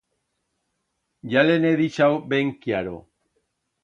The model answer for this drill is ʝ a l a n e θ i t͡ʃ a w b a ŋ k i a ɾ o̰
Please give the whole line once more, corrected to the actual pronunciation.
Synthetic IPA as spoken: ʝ a l e n e ð i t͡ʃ a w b e ŋ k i a ɾ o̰